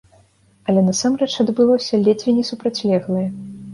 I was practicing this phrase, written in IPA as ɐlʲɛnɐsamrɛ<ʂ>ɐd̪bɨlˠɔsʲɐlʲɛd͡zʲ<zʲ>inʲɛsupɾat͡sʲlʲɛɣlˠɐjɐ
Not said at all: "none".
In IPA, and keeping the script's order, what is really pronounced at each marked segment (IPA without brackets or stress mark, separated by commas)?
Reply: t͡ʂ, vʲ